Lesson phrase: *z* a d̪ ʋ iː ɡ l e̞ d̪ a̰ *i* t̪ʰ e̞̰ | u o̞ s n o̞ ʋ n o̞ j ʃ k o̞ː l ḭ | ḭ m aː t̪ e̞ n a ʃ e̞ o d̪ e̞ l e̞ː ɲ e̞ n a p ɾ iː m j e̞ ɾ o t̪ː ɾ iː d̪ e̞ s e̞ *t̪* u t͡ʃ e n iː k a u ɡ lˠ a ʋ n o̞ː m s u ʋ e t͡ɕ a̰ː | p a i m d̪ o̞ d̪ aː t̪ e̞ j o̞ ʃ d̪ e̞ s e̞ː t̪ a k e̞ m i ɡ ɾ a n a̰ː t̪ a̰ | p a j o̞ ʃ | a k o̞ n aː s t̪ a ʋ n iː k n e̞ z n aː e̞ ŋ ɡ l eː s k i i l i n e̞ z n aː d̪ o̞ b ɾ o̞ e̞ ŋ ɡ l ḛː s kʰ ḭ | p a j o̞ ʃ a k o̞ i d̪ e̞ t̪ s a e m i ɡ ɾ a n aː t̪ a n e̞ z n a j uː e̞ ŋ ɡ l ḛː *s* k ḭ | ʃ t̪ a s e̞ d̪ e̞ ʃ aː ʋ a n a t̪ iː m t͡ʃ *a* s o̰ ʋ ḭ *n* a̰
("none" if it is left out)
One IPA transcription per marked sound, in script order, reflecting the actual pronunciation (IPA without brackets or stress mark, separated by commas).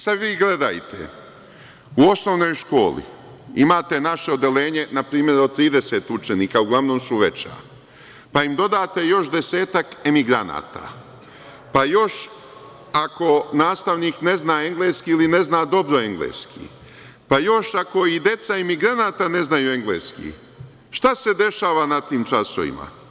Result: s, j, t̪, s, a, m